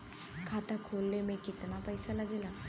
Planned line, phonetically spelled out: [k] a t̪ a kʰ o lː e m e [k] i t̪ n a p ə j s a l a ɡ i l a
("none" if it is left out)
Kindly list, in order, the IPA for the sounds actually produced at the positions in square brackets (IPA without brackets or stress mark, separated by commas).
kʰ, k